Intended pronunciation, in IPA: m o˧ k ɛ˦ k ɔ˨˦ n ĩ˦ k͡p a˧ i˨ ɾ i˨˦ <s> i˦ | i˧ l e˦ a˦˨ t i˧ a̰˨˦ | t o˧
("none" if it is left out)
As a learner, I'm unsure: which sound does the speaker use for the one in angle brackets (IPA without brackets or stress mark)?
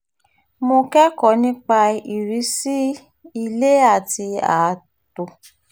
s